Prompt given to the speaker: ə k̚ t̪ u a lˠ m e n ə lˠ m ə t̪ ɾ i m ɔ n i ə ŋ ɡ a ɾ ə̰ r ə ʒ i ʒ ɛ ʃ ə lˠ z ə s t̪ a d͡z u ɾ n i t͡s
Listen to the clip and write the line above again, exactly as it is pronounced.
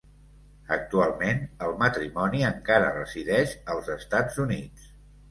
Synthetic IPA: ə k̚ t̪ u a lˠ m e n ə lˠ m ə t̪ ɾ i m ɔ n i ə ŋ k a ɾ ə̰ r ə z i ð ɛ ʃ ə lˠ z ə s t̪ a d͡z u n i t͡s